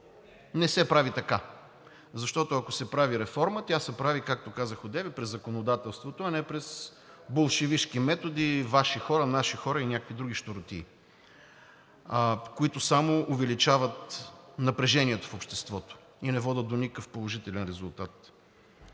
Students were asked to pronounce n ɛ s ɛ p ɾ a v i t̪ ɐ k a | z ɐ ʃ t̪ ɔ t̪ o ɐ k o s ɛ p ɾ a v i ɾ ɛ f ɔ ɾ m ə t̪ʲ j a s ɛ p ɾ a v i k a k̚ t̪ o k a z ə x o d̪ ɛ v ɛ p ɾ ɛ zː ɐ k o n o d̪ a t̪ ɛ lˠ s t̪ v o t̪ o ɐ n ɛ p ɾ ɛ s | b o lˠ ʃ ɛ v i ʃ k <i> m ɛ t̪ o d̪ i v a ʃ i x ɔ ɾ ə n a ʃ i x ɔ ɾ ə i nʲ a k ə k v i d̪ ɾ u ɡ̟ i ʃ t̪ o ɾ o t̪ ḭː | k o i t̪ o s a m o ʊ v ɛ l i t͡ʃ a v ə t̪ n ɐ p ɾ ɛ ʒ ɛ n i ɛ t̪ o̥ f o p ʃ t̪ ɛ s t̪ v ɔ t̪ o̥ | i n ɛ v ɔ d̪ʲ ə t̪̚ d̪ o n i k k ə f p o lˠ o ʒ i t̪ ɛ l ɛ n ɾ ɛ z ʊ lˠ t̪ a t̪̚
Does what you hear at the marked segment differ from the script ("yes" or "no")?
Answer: no